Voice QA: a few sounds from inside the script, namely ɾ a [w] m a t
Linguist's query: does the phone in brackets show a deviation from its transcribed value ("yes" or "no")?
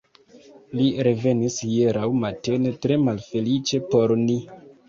no